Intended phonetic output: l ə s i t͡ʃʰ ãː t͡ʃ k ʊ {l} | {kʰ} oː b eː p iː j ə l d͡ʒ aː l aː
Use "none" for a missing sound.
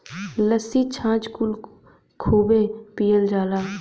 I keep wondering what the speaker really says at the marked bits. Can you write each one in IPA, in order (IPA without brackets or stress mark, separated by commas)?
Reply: l, kʰ